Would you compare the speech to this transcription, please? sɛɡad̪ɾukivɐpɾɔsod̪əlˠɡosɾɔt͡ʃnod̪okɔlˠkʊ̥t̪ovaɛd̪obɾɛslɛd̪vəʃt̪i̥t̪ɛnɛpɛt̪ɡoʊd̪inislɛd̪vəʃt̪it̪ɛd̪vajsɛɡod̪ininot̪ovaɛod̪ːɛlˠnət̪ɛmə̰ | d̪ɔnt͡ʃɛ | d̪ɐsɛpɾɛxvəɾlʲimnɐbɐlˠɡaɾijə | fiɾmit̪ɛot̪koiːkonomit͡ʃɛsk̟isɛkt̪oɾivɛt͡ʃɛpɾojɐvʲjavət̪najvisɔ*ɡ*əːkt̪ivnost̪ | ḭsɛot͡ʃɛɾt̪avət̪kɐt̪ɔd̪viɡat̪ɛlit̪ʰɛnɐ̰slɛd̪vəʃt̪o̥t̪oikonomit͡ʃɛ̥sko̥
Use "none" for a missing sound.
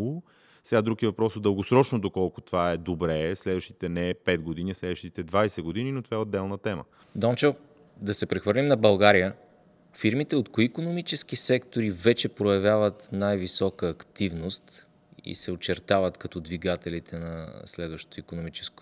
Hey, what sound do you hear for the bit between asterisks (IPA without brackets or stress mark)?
k